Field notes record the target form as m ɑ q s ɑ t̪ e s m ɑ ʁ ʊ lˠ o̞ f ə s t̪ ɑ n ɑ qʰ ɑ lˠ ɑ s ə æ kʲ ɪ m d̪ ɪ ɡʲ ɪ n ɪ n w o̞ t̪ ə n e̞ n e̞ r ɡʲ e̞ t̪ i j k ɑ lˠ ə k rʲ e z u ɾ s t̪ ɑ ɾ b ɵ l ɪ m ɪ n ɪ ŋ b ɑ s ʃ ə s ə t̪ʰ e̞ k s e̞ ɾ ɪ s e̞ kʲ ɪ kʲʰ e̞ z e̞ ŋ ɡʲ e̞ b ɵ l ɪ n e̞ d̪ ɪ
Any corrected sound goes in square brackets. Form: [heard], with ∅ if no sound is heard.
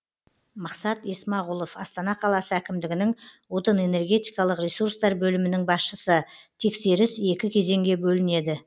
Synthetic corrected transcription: m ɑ q s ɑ t̪ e s m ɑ ʁ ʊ lˠ o̞ f [ɑ] s t̪ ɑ n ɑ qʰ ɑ lˠ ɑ s ə æ kʲ ɪ m d̪ ɪ ɡʲ ɪ n ɪ [ŋ] w o̞ t̪ ə n e̞ n e̞ r ɡʲ e̞ t̪ i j k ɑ lˠ ə [q] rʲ e [s] u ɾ s t̪ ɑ ɾ b ɵ l ɪ m ɪ n ɪ ŋ b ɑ s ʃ ə s ə t̪ʰ e̞ k s e̞ ɾ ɪ s e̞ kʲ ɪ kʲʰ e̞ z e̞ ŋ ɡʲ e̞ b ɵ l ɪ n e̞ d̪ ɪ